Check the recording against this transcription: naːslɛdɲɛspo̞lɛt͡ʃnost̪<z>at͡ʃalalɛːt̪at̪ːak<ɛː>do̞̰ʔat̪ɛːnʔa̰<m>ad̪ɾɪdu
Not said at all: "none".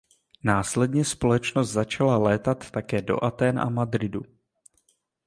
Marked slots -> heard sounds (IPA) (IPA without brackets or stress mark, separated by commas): z, ɛː, m